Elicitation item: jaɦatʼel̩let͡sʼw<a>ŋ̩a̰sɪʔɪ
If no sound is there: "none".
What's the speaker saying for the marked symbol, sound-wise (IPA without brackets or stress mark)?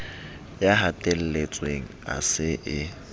e